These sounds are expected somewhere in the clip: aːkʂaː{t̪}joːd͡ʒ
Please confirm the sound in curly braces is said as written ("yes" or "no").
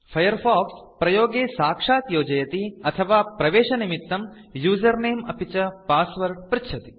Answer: yes